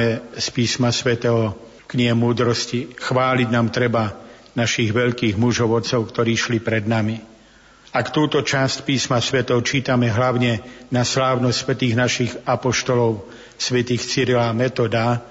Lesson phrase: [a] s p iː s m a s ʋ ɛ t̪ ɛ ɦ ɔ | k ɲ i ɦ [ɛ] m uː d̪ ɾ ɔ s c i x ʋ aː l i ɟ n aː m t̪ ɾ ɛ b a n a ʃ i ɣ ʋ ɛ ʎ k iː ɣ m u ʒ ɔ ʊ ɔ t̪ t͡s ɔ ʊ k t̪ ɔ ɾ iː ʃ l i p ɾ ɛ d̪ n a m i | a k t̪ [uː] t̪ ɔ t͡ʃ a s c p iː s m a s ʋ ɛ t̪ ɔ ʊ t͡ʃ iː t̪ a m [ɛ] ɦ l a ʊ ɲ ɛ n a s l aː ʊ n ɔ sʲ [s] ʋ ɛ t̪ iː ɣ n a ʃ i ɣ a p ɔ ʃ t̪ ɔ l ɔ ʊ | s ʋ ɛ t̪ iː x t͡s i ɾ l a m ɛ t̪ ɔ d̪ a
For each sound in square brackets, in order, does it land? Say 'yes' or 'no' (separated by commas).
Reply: no, yes, yes, yes, yes